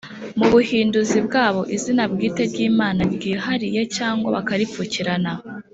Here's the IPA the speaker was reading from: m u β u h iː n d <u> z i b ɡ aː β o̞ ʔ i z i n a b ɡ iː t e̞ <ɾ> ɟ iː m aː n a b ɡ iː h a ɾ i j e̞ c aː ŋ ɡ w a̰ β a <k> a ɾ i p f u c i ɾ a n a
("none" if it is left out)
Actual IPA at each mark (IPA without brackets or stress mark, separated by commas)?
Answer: u, ɾ, k